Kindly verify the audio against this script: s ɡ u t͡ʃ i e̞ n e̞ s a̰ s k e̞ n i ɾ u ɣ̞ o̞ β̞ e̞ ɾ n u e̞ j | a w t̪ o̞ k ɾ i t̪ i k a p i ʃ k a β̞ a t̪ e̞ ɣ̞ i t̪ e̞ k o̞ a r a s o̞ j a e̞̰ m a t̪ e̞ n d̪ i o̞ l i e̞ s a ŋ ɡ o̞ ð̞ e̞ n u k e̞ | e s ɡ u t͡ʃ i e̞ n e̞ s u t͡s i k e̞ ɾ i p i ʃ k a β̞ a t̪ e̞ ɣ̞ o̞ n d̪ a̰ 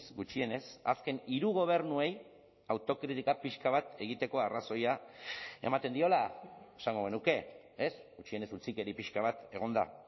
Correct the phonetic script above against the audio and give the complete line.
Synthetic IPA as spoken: s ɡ u t͡ʃ i e̞ n e̞ s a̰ s k e̞ n i ɾ u ɣ̞ o̞ β̞ e̞ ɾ n u e̞ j | a w t̪ o̞ k ɾ i t̪ i k a p i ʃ k a β̞ a t̪ e̞ ɣ̞ i t̪ e̞ k o̞ a r a s o̞ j a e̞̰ m a t̪ e̞ n d̪ i o̞ l a e̞ s a ŋ ɡ o̞ ɣ̞ e̞ n u k e̞ | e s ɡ u t͡ʃ i e̞ n e̞ s u t͡s i k e̞ ɾ i p i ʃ k a β̞ a t̪ e̞ ɣ̞ o̞ n d̪ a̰